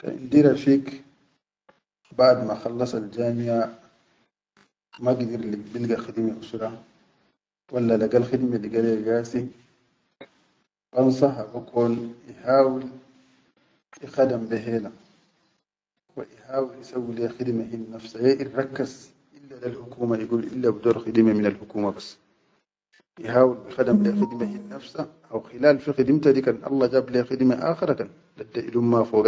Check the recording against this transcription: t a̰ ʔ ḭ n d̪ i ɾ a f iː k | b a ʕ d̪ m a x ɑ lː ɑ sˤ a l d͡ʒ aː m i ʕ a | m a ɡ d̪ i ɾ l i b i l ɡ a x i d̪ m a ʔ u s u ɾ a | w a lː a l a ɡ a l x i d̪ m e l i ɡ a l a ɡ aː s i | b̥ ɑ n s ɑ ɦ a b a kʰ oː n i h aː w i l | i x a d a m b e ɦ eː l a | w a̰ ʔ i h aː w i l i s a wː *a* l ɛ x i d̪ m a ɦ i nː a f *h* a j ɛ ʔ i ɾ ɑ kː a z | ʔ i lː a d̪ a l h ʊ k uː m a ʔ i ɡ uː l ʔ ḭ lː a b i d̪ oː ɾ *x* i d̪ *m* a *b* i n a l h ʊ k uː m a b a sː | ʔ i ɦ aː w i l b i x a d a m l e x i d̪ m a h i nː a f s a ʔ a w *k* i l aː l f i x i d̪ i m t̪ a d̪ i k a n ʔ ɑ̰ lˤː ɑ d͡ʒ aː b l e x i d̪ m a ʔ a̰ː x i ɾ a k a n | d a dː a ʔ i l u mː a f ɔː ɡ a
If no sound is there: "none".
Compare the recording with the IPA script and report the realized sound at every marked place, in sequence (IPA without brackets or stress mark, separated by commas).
i, s, x, m, m, x